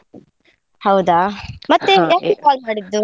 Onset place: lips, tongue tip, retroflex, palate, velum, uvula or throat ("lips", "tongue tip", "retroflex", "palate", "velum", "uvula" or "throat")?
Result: throat